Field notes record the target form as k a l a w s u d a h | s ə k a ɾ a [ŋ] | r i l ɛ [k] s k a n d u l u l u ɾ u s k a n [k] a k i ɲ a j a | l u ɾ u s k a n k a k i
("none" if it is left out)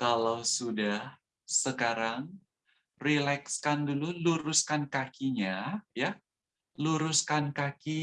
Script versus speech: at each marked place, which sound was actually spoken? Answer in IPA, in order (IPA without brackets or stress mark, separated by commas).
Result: ŋ, k, k